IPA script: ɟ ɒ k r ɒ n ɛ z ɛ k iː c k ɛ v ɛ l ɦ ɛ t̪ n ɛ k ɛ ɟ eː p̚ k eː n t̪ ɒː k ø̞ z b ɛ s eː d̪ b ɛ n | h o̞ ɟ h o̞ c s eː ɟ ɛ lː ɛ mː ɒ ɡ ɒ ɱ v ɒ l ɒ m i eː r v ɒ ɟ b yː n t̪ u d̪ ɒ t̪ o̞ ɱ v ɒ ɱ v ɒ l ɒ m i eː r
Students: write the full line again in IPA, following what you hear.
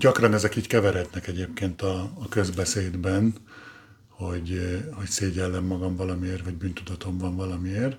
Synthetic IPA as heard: ɟ ɒ k r ɒ n ɛ z ɛ k iː c k ɛ v ɛ ɾ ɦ ɛ t̪ n ɛ k ɛ ɟ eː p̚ k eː n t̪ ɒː k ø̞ z b ɛ s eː d̪ b ɛ n | h o̞ ɟ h o̞ c s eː ɟ ɛ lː ɛ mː ɒ ɡ ɒ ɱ v ɒ l ɒ m i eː r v ɒ ɟ b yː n t̪ u d̪ ɒ t̪ o̞ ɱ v ɒ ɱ v ɒ l ɒ m i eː r